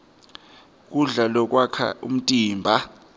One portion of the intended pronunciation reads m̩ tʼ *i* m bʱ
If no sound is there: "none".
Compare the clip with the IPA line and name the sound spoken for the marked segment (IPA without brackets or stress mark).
iː